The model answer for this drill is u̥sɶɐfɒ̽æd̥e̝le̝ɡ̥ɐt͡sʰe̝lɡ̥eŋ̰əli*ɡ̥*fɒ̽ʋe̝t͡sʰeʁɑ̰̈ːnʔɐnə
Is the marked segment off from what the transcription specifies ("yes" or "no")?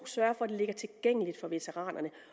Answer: yes